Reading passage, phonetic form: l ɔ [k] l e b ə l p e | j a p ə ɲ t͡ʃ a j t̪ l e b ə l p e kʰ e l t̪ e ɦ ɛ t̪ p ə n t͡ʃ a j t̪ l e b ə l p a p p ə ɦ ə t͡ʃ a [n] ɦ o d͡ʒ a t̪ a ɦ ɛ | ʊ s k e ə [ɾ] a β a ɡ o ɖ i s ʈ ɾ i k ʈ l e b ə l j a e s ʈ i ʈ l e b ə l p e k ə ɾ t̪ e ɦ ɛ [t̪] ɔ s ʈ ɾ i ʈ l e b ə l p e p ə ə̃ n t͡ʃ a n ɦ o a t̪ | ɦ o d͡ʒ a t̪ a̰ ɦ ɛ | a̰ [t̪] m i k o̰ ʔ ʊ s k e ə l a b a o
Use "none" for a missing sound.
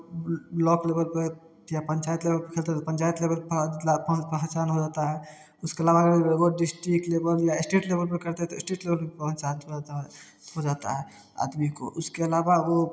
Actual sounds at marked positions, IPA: k, n, l, t̪, d̪

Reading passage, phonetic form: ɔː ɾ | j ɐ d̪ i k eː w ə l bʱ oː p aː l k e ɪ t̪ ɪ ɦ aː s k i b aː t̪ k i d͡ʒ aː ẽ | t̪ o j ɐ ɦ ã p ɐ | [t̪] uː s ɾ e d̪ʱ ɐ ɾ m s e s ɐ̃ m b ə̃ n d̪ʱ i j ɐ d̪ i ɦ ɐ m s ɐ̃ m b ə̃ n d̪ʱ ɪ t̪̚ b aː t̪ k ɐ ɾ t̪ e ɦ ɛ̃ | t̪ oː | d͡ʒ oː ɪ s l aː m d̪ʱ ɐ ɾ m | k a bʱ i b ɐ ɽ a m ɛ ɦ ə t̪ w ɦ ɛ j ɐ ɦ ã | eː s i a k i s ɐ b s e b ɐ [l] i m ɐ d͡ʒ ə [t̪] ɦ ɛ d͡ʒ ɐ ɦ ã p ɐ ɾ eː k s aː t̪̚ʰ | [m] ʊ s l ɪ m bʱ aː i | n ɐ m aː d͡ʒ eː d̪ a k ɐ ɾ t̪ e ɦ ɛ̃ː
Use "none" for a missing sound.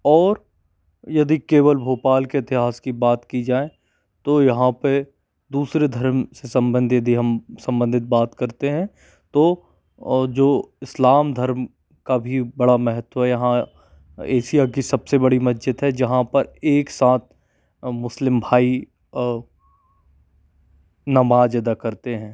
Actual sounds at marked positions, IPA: d̪, ɽ, t̪, m

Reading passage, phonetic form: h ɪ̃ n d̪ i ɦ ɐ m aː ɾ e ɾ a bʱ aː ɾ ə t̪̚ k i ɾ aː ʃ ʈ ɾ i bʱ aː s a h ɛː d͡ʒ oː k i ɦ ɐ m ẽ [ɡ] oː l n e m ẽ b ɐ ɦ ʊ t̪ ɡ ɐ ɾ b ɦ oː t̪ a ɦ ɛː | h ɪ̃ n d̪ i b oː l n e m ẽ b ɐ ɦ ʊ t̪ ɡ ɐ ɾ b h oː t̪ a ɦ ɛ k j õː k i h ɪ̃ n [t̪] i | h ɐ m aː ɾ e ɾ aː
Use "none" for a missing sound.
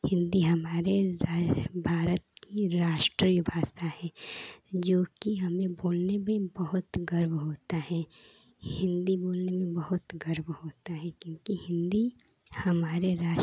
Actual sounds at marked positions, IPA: b, d̪

